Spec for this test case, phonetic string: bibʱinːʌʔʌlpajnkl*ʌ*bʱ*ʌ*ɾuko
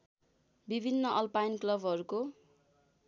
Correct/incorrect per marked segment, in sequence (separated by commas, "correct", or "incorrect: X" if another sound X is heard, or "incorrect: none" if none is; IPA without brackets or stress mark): correct, correct